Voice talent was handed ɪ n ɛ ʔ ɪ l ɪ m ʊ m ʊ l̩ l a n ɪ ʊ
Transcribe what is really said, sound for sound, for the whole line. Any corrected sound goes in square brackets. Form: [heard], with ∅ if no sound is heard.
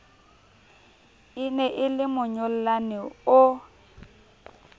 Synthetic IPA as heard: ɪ n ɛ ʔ ɪ l ɪ m ʊ [ɲ] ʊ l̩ l a n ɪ ʊ